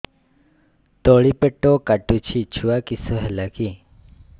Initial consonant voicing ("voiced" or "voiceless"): voiceless